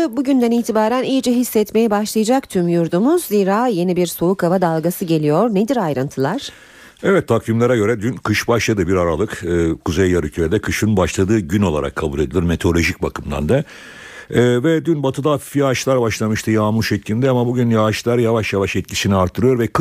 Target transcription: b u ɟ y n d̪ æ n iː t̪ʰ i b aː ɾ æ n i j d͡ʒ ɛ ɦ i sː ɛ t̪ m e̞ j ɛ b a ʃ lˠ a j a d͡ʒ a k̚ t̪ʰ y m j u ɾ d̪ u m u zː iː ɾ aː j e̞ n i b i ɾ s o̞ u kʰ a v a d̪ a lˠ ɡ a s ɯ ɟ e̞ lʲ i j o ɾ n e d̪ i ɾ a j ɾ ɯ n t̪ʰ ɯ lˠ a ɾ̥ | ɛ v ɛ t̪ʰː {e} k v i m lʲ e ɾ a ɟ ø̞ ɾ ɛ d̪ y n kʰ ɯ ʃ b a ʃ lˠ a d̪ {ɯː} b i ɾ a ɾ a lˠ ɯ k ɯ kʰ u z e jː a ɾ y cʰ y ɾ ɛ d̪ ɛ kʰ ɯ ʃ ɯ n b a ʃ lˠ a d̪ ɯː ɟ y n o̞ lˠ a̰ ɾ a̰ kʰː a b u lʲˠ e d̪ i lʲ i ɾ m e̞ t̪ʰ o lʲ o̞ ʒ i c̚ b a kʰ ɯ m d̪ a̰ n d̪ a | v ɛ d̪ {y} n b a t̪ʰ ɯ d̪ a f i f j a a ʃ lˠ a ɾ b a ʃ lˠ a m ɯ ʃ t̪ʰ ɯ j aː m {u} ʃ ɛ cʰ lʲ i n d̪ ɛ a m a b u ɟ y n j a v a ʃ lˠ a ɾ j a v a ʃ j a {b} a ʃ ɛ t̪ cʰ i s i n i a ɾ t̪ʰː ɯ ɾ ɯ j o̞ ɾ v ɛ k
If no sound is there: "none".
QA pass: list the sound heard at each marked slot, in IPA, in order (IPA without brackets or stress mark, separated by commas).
a, ɯ, y, u, v